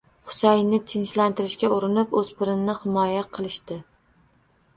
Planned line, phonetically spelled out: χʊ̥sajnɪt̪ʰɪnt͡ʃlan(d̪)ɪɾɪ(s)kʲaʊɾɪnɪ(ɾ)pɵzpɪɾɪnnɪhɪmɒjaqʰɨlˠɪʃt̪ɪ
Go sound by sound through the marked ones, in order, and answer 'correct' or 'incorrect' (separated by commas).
incorrect, incorrect, incorrect